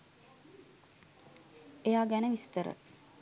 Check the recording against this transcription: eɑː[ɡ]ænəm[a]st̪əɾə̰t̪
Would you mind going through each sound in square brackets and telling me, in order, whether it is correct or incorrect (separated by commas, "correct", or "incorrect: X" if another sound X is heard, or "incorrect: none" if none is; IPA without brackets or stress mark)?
correct, incorrect: i